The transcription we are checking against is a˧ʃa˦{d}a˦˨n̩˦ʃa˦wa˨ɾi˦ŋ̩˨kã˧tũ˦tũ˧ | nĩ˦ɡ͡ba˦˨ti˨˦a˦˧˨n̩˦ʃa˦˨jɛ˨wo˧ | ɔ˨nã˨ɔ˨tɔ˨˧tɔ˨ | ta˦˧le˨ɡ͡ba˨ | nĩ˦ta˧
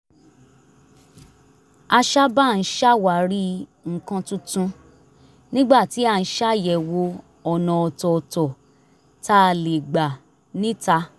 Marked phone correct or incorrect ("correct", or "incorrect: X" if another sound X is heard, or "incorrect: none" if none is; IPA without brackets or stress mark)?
incorrect: b